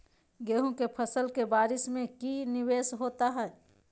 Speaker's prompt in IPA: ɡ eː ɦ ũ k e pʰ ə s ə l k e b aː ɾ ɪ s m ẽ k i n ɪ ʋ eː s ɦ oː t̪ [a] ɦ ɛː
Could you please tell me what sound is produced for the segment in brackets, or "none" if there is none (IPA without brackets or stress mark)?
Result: a